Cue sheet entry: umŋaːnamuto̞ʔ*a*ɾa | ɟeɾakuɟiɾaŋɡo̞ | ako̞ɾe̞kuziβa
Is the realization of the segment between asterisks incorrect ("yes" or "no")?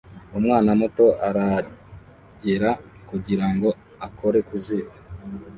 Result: no